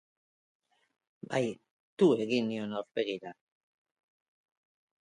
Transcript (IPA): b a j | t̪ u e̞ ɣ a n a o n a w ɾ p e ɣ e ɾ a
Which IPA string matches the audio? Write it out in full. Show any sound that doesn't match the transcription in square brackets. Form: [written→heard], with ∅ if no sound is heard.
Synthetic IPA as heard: b a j | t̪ u e̞ ɣ [a→i] n [a→i] o n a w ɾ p e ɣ [e→i] ɾ a